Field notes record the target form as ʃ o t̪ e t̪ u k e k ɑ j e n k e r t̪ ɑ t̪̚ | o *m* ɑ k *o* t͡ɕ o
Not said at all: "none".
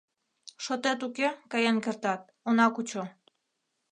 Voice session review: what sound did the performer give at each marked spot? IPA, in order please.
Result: n, u

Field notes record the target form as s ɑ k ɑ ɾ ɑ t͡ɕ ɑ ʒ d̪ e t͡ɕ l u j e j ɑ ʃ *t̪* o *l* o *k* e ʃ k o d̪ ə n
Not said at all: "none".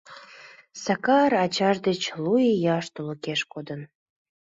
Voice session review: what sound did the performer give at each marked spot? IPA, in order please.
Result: t̪, l, k

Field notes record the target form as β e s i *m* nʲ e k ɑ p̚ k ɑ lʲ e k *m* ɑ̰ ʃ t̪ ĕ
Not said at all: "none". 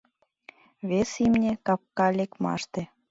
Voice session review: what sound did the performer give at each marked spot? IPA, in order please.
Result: m, m

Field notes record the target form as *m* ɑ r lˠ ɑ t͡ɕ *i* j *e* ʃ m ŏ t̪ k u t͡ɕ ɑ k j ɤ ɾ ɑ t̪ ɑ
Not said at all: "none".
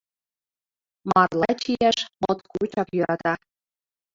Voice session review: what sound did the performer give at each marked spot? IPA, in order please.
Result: m, i, æ

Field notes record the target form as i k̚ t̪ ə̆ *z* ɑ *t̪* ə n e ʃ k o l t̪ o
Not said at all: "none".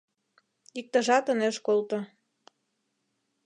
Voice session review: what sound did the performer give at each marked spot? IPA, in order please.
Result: ʒ, t̪

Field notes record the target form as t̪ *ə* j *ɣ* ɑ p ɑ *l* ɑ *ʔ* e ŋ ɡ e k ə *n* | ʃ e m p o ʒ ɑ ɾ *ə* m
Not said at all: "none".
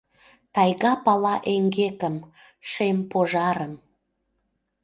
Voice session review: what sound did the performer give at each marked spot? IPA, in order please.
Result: ɑ, ɣ, l, ʔ, m, ə

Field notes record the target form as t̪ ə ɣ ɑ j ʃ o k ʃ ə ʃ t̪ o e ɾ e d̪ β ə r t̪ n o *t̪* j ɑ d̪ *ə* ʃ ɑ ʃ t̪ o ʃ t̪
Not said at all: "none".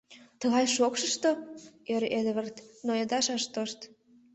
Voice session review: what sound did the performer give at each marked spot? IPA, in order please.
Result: none, ɑ

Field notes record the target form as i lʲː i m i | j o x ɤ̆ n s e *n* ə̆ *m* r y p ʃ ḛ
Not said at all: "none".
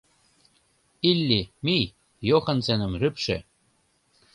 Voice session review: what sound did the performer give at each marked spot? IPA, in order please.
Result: n, m

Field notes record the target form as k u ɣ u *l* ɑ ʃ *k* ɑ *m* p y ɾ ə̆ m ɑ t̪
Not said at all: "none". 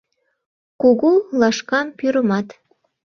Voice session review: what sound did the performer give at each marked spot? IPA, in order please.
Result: l, k, m

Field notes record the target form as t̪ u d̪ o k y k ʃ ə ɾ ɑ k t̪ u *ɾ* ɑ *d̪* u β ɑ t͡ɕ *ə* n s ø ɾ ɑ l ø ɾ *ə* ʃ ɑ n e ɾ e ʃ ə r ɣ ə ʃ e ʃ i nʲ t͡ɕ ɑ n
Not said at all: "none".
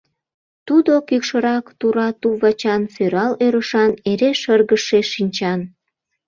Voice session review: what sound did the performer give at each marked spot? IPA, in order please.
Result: ɾ, t̪, ɑ, ə

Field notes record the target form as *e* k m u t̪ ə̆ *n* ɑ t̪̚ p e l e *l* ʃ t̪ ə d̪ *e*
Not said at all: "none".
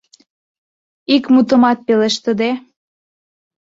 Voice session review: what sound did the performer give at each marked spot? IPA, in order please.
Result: i, m, none, e

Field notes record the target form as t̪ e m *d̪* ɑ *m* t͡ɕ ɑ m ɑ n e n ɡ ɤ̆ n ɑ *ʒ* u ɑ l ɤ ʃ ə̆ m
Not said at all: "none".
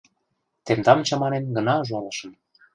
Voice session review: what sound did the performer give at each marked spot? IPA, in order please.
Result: d̪, m, ʒ

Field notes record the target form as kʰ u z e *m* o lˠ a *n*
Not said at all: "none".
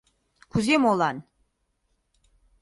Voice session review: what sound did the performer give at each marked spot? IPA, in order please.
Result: m, n

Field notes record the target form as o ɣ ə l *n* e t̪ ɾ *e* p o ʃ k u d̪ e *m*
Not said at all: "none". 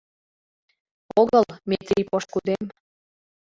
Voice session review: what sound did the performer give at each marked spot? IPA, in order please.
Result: m, i, m

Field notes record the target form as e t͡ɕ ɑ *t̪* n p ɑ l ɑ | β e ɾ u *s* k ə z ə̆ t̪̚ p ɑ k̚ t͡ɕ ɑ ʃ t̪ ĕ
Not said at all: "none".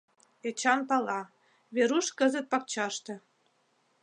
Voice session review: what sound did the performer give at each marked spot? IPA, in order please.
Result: none, ʃ

